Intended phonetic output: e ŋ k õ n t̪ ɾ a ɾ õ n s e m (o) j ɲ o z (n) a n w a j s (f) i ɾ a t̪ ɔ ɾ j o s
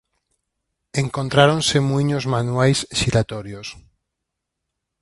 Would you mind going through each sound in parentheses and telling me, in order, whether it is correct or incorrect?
incorrect: u, incorrect: m, incorrect: ʃ

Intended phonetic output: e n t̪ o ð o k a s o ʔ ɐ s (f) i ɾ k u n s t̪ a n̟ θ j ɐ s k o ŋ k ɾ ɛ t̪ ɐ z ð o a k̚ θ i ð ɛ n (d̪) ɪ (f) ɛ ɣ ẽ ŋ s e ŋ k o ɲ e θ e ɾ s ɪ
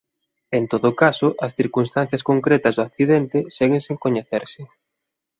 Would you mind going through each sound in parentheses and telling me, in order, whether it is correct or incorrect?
incorrect: θ, incorrect: t̪, incorrect: s

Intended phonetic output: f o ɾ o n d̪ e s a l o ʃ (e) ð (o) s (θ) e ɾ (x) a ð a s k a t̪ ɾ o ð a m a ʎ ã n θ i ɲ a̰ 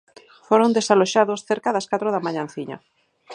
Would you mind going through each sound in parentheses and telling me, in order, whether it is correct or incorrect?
incorrect: a, correct, correct, incorrect: k

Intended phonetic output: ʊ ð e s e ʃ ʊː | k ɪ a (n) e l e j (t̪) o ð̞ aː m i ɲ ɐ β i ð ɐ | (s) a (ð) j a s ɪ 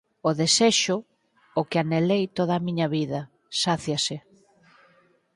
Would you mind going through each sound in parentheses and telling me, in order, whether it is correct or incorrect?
correct, correct, correct, incorrect: θ

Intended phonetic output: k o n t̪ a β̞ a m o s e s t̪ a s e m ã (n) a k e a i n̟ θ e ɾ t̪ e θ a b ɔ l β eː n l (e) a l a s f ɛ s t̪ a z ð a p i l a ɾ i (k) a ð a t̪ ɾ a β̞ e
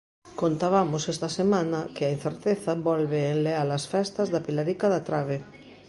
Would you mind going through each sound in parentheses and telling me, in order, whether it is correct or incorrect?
correct, correct, correct

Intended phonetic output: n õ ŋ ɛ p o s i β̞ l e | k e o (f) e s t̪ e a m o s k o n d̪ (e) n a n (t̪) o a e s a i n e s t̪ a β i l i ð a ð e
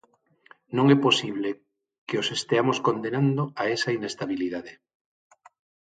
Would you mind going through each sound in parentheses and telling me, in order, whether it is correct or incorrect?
incorrect: s, correct, incorrect: d̪

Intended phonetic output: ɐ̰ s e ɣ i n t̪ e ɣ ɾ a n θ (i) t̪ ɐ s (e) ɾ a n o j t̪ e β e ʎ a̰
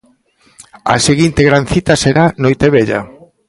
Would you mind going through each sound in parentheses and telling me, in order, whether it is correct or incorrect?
correct, correct

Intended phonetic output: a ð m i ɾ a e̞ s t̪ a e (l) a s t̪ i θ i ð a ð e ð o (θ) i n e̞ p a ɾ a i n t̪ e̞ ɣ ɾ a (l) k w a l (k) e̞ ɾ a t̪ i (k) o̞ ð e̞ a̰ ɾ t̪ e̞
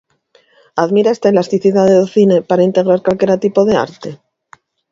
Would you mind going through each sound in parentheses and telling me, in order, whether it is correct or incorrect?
correct, correct, incorrect: ɾ, correct, incorrect: p

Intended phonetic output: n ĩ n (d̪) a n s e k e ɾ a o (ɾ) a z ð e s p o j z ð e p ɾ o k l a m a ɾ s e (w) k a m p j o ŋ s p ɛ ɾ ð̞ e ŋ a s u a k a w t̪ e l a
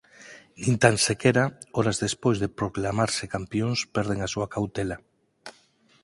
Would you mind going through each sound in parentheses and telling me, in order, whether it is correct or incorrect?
incorrect: t̪, correct, incorrect: none

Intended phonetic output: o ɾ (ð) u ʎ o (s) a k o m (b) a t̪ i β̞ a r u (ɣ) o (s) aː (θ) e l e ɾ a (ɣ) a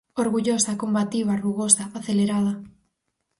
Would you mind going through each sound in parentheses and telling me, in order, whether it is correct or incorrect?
incorrect: ɣ, correct, correct, correct, correct, correct, incorrect: ð

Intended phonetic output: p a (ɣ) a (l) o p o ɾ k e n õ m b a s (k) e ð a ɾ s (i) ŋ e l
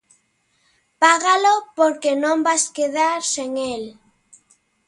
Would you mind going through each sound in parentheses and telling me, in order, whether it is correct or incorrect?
correct, correct, correct, incorrect: e

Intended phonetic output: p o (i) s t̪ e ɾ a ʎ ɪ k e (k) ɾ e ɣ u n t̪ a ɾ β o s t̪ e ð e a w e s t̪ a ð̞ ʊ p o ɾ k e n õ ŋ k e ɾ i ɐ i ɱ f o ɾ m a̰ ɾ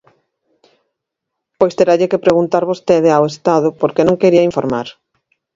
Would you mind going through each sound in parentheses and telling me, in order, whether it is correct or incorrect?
incorrect: j, incorrect: p

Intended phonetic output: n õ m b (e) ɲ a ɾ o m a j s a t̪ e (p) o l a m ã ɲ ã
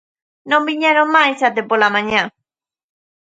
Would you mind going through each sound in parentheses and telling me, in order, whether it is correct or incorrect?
incorrect: i, correct

